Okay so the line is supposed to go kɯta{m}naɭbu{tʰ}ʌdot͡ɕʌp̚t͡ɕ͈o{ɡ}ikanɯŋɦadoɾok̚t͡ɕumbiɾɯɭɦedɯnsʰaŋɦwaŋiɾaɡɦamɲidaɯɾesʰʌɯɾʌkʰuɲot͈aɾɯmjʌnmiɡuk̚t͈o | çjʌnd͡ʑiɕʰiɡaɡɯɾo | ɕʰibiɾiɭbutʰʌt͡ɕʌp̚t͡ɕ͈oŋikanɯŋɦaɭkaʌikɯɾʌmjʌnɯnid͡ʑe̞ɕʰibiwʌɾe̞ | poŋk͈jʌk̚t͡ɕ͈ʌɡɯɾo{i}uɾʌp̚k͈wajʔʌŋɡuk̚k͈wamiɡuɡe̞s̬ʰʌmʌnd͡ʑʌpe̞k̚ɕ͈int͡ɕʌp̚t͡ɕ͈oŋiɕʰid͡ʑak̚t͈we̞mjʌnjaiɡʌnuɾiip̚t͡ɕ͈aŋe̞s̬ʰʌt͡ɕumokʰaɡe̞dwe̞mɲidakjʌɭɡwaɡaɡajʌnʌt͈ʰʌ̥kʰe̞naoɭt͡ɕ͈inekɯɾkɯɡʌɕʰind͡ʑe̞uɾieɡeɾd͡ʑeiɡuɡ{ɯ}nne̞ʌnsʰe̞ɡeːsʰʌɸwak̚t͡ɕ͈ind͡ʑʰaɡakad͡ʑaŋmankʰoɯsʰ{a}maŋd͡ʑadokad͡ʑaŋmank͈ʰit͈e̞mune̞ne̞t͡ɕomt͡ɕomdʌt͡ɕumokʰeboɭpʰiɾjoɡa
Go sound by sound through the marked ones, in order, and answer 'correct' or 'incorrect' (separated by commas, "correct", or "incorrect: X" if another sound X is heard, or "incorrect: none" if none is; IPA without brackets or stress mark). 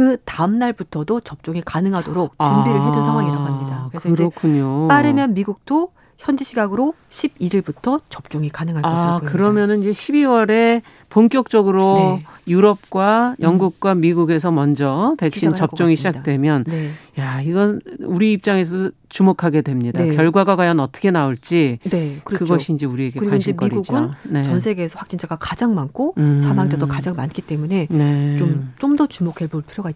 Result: correct, correct, incorrect: ŋ, incorrect: j, correct, correct